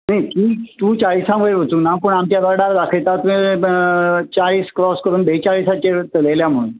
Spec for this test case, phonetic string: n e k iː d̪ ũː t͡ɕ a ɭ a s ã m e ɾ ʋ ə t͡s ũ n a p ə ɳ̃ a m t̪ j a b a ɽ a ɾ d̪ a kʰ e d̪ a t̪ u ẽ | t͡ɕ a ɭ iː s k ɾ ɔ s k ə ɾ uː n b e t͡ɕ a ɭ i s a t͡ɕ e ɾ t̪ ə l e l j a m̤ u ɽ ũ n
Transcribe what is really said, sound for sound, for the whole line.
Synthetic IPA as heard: n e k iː t̪ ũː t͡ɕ a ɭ i s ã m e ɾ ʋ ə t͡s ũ n a p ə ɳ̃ a m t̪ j a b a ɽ a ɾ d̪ a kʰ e t̪ a t̪ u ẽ | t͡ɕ a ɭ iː s k ɾ ɔ s k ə ɾ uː n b e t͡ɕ a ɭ i s a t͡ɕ e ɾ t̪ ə l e l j a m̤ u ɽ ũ n

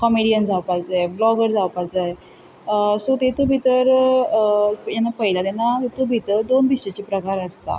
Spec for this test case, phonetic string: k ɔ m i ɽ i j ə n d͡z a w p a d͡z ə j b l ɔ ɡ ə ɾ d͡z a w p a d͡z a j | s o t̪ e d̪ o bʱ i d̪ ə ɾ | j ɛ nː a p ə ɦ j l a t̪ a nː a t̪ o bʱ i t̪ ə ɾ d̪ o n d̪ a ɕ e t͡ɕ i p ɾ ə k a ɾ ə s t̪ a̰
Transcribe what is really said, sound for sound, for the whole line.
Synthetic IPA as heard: k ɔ m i ɽ i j ə n d͡z a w p a d͡z a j b l ɔ ɡ ə ɾ d͡z a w p a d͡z a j | s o t̪ e t̪ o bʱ i t̪ ə ɾ | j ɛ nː a p ə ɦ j l a t̪ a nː a t̪ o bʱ i t̪ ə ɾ d̪ o n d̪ i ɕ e t͡ɕ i p ɾ ə k a ɾ ə s t̪ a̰

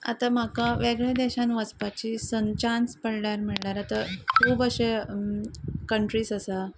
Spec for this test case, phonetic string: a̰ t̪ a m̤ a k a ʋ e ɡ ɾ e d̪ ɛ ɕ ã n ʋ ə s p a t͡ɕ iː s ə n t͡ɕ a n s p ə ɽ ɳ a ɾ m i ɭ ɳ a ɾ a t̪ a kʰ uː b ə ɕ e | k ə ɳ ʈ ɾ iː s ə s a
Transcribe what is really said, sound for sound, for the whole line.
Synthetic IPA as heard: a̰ t̪ a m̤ a k a ʋ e ɡ ɭ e d̪ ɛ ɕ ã n ʋ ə s p a t͡ɕ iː s ə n t͡ɕ a n s p ə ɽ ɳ a ɾ m i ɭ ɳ a ɾ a t̪ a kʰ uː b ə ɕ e | k ə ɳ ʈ ɾ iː s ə s a

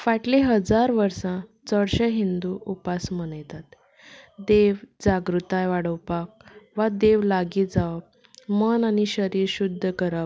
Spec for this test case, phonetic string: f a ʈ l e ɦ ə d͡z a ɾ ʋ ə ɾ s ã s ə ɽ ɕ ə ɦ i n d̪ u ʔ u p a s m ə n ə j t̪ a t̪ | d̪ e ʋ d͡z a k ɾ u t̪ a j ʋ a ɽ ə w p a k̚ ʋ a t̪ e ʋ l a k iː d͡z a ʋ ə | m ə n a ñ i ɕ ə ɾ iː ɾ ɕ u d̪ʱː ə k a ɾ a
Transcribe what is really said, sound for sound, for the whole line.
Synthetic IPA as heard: f a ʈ l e ɦ ə d͡z a ɾ ʋ ə ɾ s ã t͡s ə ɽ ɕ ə ɦ i n d̪ u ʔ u p a s m ə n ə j t̪ a t̪ | d̪ e ʋ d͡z a ɡ ɾ u t̪ a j ʋ a ɽ ə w p a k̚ ʋ a d̪ e ʋ l a ɡ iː d͡z a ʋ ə | m ə n a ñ i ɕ ə ɾ iː ɾ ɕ u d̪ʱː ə k ə ɾ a

